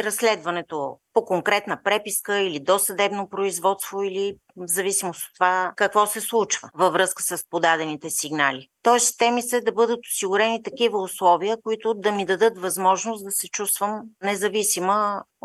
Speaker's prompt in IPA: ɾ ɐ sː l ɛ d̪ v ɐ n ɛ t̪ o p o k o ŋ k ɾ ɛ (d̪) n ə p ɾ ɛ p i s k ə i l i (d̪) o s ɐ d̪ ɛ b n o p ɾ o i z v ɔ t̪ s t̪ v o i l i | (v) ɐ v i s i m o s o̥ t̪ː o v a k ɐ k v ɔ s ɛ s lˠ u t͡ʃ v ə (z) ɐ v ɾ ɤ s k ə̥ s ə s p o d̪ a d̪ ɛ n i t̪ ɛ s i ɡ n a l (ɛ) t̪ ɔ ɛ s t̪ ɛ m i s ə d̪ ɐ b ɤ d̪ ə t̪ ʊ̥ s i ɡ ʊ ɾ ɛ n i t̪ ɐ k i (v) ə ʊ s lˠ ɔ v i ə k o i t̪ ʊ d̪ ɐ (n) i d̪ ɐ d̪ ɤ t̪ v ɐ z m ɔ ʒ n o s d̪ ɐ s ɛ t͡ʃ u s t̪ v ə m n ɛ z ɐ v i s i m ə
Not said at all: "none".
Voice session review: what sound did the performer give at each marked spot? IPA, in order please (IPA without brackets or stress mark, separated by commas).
t̪, d̪, z, v, i, v, m